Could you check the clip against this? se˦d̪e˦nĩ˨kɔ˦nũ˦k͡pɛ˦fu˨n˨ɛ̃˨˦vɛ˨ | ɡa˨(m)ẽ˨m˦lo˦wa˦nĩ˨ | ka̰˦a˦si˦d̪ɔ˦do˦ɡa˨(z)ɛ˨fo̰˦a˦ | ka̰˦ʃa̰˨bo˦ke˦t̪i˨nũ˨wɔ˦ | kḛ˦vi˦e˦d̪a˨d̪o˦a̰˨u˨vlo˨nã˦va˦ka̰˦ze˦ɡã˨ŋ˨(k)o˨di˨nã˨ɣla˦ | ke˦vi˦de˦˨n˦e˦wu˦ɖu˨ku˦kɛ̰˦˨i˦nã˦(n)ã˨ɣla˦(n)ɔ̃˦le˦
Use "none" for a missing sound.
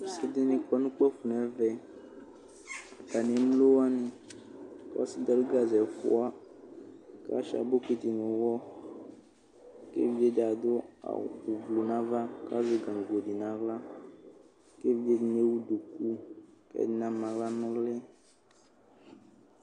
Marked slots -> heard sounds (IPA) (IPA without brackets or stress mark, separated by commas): n, z, ɡ, m, n